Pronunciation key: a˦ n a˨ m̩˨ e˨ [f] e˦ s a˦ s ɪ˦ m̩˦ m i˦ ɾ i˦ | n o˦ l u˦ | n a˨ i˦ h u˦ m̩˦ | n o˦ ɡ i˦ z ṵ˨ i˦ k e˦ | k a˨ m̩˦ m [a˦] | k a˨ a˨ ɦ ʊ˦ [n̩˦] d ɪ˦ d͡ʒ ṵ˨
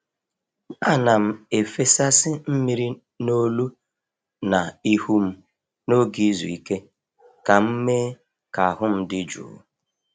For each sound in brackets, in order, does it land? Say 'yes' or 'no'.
yes, no, no

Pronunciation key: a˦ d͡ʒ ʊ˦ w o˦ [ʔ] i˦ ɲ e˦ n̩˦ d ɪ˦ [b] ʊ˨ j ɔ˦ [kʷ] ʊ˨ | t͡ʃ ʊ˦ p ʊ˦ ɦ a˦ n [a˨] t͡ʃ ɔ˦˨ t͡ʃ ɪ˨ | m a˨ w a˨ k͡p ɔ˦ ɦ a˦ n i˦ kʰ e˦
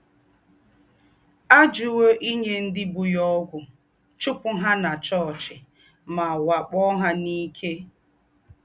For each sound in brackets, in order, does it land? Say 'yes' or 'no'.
yes, yes, no, yes

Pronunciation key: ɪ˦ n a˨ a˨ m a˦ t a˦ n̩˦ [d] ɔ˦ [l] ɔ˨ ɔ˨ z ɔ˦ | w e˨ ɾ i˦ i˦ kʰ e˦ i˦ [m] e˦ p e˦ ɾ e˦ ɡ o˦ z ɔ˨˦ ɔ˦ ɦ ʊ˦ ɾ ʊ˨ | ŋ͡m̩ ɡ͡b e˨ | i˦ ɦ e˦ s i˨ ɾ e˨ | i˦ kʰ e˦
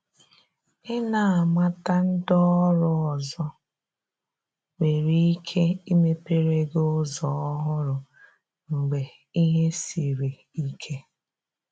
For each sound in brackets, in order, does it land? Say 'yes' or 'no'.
yes, no, yes

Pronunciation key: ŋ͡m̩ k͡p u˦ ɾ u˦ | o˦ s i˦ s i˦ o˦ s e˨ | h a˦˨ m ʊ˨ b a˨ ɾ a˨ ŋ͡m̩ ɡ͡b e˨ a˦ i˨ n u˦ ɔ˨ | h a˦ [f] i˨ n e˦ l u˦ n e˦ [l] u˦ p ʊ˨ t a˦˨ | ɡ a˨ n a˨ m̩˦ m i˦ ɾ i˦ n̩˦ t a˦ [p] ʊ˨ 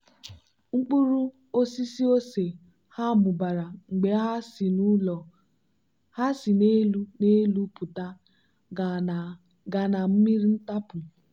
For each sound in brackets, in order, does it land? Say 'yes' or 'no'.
no, yes, yes

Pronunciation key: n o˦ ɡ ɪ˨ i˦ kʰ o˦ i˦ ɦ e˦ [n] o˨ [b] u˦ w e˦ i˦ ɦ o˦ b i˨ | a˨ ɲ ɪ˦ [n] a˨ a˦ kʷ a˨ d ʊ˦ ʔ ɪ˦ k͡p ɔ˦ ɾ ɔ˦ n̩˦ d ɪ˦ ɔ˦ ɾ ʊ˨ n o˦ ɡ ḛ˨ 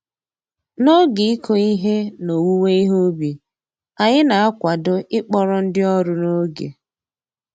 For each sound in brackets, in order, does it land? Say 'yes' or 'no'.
yes, no, yes

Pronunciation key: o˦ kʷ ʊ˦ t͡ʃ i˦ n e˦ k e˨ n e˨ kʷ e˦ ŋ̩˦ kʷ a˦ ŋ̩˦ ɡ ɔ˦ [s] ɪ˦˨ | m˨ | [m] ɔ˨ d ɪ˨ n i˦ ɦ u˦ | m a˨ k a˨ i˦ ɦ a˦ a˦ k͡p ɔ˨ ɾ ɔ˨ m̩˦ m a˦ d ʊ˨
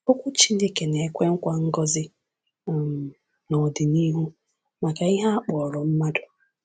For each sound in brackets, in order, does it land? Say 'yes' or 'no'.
no, no

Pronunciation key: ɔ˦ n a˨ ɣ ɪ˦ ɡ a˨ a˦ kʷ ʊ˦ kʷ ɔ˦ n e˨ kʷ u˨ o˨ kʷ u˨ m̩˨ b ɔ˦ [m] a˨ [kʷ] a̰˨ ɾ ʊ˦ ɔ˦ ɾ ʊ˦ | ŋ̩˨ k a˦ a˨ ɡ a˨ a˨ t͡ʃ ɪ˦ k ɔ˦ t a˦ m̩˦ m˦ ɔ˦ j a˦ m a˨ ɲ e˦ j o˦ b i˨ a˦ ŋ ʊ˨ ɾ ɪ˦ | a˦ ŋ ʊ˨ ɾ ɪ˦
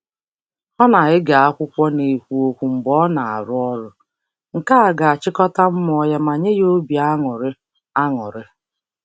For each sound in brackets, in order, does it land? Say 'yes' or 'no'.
no, no

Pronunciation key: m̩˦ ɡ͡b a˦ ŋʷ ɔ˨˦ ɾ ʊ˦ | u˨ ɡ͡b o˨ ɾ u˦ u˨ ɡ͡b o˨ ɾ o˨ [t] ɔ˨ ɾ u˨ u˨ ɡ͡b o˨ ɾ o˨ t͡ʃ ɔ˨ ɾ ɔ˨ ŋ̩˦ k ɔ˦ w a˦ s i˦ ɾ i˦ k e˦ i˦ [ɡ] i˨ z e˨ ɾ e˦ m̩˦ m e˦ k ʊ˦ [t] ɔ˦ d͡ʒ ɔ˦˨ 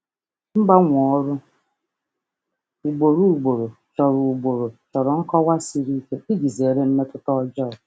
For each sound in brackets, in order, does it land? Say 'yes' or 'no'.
no, yes, yes

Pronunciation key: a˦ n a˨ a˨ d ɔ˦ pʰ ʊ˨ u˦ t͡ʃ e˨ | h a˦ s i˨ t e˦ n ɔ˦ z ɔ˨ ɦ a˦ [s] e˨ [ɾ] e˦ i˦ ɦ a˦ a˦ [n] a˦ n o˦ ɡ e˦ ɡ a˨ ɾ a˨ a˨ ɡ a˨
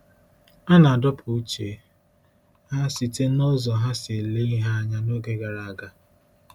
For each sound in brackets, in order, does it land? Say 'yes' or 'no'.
yes, no, no

